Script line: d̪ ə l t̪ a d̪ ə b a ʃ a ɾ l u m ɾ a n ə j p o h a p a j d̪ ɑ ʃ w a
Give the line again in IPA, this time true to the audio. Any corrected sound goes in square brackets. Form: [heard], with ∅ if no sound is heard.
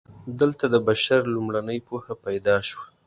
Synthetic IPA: d̪ ə l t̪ a d̪ ə b a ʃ a ɾ l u m [ɽ] a n ə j p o h a p a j d̪ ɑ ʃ w a

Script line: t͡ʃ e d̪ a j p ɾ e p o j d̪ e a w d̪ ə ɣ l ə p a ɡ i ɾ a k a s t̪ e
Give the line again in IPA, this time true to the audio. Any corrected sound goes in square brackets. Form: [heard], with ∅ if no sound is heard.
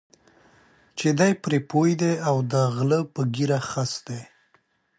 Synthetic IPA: t͡ʃ e d̪ a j p ɾ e p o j d̪ e a w d̪ ə ɣ l ə p [ə] ɡ i ɾ a [x] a s [d̪] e

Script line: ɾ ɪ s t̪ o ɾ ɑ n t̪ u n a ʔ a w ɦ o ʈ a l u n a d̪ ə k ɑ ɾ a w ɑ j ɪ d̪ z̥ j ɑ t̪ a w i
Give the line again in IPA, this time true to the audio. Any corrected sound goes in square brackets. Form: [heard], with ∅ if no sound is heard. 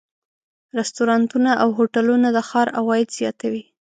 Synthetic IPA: ɾ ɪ s t̪ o ɾ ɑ n t̪ u n a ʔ a w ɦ o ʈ a l u n a d̪ ə [x] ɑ ɾ a w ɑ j ɪ d̪ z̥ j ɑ t̪ a w i

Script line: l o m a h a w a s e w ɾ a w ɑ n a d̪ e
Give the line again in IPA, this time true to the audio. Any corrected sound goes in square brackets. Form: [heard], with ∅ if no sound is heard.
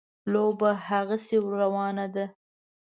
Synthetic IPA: l o [b] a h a [ɣ] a s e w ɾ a w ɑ n a d̪ [a]

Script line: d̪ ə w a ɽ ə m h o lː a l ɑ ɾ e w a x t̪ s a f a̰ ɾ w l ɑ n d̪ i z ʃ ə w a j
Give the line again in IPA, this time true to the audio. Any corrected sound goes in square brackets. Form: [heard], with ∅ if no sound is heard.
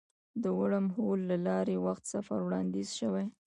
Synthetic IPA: d̪ ə w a ɽ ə m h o lː a l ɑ ɾ e w a x t̪ s a f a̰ ɾ w [ɽ] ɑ n d̪ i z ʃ ə w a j

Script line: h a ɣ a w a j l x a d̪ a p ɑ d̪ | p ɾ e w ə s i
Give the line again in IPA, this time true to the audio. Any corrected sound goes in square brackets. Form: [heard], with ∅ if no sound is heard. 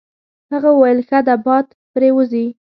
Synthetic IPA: h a ɣ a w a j l x a d̪ a [b] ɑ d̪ | p ɾ e w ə [z] i

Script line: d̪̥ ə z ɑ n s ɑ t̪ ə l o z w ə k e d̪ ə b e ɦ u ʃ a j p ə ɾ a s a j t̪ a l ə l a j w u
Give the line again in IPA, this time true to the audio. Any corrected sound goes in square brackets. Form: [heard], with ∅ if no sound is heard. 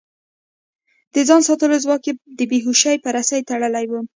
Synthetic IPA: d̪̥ ə z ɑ n s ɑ t̪ ə l o z w [ɑ] k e d̪ ə b e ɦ u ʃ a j p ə ɾ a s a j t̪ a [ɽ] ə l a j w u

